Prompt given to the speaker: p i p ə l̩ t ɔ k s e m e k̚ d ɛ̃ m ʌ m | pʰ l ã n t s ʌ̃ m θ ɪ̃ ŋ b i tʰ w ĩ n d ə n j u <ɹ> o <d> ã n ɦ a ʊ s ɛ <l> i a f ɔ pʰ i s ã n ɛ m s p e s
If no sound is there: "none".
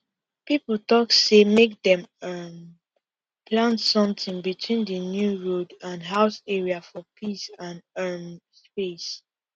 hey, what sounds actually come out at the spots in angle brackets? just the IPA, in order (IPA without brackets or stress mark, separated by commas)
ɹ, d, ɹ